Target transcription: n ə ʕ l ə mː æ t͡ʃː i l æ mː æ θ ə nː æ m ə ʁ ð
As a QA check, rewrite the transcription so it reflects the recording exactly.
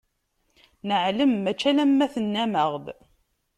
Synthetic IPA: n ə ʕ l ə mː æ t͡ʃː æ l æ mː æ θ ə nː æ m ə ʁ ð